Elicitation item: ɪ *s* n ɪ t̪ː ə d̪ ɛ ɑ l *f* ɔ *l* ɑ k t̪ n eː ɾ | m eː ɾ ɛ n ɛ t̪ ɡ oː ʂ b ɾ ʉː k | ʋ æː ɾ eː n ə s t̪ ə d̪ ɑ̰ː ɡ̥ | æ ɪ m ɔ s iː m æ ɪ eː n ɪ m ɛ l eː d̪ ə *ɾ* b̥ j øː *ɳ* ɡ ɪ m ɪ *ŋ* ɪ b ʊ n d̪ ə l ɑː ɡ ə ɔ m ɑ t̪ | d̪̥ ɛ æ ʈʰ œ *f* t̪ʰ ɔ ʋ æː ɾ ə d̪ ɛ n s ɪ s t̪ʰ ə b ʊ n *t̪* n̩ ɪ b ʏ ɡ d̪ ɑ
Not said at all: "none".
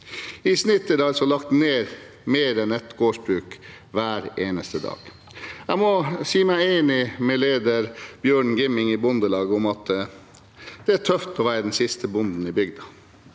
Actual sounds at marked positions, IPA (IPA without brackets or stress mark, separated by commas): s, s, l, ɾ, ɳ, ŋ, f, d̪